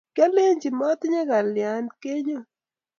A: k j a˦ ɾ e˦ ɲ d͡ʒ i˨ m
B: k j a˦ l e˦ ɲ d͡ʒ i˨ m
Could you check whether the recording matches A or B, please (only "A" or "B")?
B